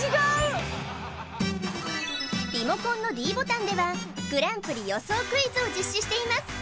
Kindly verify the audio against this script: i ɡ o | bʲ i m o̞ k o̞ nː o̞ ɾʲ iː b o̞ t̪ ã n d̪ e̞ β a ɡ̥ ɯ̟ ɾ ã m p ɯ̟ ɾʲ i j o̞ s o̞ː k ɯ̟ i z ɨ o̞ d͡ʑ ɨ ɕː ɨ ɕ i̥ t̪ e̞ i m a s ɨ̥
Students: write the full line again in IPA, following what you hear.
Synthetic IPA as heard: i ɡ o | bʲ i m o̞ k õ̞ nː o̞ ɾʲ iː b o̞ t̪ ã n d̪ e̞ β a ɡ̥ ɯ̟ ɾ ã m p ɯ̟ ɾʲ i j o̞ s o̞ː k ɯ̟ i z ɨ o̞ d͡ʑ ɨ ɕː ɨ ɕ i̥ t̪ e̞ i m a s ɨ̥

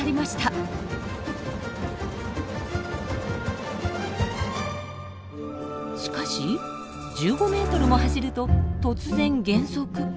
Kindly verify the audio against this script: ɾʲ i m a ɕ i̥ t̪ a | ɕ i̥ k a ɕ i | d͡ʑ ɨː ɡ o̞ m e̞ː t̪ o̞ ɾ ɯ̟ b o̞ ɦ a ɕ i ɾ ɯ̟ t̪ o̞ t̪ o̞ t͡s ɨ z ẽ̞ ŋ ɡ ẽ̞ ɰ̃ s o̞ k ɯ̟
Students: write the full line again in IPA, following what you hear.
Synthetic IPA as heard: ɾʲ i m a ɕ i̥ t̪ a | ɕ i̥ k a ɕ i | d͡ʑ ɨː ɡ o̞ m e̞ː t̪ o̞ ɾ ɯ̟ m o̞ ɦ a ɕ i ɾ ɯ̟ t̪ o̞ t̪ o̞ t͡s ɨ z ẽ̞ ŋ ɡ ẽ̞ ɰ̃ s o̞ k ɯ̟

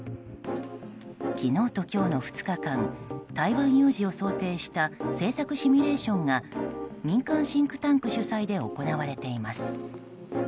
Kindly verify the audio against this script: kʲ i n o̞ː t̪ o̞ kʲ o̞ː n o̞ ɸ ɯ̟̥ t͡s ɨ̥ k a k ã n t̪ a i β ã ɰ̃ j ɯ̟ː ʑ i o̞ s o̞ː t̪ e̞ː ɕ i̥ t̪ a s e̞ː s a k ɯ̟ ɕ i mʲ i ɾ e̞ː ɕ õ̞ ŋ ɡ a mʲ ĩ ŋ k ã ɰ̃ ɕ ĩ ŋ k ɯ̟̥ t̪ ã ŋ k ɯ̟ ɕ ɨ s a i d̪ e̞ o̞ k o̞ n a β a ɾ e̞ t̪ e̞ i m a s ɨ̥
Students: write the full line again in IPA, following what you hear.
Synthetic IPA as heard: kʲ i n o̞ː t̪ o̞ kʲ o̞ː n o̞ ɸ ɯ̟̥ t͡s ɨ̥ k a k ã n t̪ a i β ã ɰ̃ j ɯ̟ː ʑ i o̞ s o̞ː t̪ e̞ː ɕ i̥ t̪ a s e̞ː s a k ɯ̟ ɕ i mʲ i ɾ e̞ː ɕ õ̞ ŋ ɡ a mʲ ĩ ŋ k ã ɰ̃ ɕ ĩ ŋ k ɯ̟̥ t̪ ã ŋ k ɯ̟ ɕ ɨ s a i d̪ e̞ o̞ k o̞ n a β a ɾ e̞ t̪ e̞ i m a s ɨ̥

